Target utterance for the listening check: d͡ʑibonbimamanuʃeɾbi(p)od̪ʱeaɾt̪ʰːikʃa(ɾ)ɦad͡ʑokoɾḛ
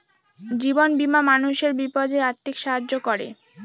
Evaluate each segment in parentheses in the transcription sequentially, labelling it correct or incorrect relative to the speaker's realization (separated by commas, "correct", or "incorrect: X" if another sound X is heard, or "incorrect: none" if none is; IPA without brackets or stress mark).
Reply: correct, incorrect: none